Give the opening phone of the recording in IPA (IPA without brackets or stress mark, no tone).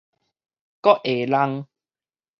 k